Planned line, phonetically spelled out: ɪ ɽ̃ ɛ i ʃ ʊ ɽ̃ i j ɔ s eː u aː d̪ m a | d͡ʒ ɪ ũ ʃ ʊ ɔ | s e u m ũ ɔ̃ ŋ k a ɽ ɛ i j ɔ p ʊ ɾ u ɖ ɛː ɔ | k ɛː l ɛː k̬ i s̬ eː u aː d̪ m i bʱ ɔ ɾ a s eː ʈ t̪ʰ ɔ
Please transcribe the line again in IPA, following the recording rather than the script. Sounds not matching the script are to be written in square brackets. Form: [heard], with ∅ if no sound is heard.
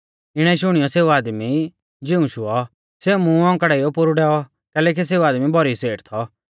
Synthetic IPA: ɪ ɽ̃ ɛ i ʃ ʊ ɽ̃ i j ɔ s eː u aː d̪ m [i] | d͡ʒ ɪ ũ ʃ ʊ ɔ | s e u m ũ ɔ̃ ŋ k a ɽ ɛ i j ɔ p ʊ ɾ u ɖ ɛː ɔ | k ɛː l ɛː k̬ i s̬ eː u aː d̪ m i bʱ ɔ ɾ [i] s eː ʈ t̪ʰ ɔ

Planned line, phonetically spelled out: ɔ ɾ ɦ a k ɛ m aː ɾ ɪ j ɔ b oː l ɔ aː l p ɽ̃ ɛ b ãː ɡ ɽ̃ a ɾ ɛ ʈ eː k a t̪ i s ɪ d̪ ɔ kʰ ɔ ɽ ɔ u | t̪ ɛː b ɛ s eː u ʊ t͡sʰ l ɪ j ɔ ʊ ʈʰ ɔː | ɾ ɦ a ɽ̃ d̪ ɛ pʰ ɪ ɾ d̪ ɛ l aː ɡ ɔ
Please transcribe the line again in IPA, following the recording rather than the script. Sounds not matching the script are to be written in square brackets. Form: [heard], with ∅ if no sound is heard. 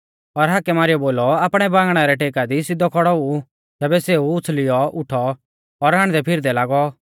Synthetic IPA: ɔ ɾ ɦ a k ɛ m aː ɾ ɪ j ɔ b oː l ɔ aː [∅] p ɽ̃ ɛ b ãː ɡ ɽ̃ a ɾ ɛ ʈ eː k a [d̪] i s ɪ d̪ ɔ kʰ ɔ ɽ ɔ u | t̪ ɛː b ɛ s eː u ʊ t͡sʰ l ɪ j ɔ ʊ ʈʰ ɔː | ɾ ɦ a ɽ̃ d̪ ɛ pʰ ɪ ɾ d̪ ɛ l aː ɡ ɔ

